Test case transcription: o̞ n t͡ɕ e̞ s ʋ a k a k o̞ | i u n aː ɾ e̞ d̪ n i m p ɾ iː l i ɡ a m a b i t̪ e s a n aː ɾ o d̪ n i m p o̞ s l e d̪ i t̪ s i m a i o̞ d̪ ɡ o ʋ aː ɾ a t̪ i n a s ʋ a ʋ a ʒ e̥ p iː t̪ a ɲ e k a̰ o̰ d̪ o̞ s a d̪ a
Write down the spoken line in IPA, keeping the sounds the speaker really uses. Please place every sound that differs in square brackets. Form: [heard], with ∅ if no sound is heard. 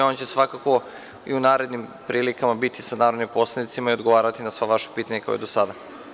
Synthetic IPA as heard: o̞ n t͡ɕ e̞ s ʋ a k a k o̞ | i u n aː ɾ e̞ d̪ n i m p ɾ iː l i [k] a m a b i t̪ [i] s a n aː ɾ o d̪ n i m p o̞ s l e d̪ i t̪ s i m a i o̞ d̪ ɡ o ʋ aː ɾ a t̪ i n a s ʋ a ʋ a [ʃ] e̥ p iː t̪ a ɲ e k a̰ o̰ d̪ o̞ s a d̪ a